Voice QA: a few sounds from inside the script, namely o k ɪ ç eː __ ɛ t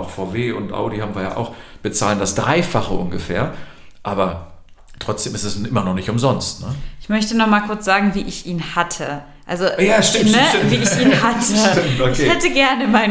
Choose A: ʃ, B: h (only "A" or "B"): B